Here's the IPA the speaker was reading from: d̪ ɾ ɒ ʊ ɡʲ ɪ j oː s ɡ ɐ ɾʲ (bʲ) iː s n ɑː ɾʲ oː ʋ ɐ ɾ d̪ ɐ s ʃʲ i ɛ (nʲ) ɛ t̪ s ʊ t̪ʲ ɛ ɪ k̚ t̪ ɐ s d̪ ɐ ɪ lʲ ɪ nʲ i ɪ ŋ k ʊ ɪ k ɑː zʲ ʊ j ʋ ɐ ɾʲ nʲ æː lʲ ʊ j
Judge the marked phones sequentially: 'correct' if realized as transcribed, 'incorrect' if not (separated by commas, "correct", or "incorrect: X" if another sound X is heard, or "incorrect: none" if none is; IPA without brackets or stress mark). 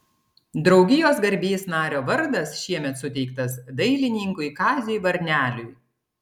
correct, incorrect: mʲ